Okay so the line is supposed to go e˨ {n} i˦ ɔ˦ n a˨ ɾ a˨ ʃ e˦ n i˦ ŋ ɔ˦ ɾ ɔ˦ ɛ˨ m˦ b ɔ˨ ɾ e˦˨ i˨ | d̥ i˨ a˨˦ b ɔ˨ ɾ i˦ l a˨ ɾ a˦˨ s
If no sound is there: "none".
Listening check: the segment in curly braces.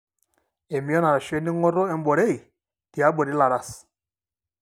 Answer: m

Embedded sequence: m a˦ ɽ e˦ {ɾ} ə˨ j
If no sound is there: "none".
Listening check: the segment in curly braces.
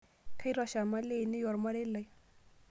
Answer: l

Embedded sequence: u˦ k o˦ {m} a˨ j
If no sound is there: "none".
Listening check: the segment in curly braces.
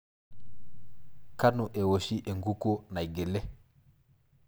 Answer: n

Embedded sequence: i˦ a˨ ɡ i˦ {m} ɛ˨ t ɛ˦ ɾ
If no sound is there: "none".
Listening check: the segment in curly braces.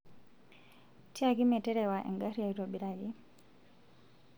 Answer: m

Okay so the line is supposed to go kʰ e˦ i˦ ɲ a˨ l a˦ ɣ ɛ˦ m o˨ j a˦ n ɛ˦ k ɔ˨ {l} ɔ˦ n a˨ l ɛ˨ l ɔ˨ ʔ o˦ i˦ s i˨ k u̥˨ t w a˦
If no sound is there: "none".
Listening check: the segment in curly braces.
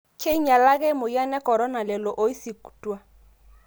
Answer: ɾ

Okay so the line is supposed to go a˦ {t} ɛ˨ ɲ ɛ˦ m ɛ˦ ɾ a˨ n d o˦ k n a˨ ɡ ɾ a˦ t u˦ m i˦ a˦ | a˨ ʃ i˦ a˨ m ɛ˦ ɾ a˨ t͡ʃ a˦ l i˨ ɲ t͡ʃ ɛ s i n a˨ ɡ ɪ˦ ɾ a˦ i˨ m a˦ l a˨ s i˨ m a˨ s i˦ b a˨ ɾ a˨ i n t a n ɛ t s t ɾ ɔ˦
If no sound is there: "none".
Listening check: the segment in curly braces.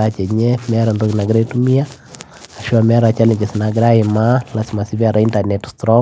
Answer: t͡ʃ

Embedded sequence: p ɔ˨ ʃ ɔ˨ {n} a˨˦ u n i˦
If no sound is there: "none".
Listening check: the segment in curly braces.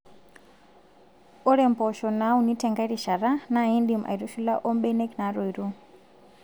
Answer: n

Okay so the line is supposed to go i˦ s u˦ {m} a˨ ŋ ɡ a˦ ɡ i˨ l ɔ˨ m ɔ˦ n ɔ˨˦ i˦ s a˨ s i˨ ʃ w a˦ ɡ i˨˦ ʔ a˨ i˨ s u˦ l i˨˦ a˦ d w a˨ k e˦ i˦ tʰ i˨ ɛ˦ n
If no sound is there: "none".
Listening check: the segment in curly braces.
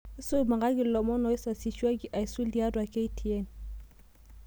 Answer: m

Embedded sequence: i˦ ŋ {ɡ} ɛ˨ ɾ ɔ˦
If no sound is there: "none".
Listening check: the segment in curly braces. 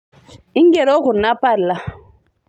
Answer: ɡ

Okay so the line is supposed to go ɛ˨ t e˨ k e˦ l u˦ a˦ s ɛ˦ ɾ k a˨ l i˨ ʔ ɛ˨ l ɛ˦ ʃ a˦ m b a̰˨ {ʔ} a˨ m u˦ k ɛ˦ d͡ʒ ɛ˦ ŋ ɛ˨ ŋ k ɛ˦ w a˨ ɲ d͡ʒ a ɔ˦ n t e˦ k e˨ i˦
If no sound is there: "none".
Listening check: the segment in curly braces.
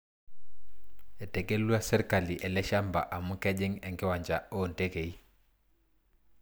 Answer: ʔ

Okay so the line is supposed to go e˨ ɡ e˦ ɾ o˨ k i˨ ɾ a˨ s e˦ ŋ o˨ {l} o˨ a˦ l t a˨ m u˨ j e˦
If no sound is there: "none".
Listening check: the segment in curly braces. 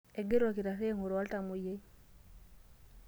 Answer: ɾ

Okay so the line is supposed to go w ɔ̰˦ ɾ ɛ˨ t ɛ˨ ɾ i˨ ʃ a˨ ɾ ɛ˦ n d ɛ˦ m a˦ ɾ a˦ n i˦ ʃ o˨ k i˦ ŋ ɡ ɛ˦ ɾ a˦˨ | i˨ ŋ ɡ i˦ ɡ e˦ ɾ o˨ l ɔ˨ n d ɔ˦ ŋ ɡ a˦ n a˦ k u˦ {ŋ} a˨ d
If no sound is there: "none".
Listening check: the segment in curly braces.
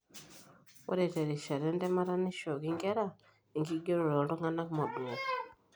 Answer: m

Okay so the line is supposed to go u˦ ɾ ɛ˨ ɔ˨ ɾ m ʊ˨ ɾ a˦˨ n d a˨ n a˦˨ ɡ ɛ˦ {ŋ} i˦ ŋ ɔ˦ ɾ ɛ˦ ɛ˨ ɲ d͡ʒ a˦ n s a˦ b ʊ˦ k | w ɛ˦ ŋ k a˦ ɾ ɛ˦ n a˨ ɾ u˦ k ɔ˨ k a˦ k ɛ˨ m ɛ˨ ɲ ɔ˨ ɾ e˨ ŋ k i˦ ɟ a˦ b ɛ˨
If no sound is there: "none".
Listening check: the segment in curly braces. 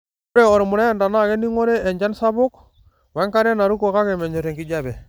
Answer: n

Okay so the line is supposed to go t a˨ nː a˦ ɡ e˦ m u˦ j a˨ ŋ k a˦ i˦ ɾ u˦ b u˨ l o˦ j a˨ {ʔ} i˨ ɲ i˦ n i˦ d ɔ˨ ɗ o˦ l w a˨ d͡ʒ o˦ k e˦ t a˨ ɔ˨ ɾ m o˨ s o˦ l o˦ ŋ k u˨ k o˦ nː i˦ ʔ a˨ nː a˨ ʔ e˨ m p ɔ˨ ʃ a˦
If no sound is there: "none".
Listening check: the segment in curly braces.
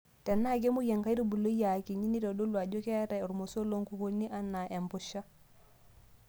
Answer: k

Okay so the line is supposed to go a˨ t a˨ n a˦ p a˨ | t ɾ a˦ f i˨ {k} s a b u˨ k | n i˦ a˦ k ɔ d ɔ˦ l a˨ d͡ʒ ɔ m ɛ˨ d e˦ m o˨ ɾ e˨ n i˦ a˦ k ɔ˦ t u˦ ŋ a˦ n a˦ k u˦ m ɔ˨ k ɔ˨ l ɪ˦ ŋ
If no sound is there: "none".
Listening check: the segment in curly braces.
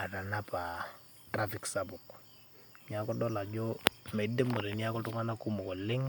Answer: k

